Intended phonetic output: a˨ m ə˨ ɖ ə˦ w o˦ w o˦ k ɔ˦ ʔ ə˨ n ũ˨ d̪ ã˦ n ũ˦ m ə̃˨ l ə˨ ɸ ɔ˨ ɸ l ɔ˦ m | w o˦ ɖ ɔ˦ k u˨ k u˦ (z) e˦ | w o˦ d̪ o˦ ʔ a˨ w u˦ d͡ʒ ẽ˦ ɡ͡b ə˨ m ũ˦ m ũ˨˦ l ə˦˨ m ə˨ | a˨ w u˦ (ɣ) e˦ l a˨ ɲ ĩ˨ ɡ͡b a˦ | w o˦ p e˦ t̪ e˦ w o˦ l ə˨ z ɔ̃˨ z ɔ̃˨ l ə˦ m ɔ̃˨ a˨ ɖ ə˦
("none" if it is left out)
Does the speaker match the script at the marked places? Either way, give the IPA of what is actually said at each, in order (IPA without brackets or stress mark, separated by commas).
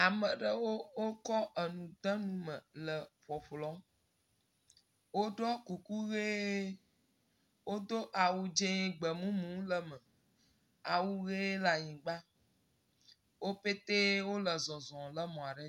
ɣ, ɣ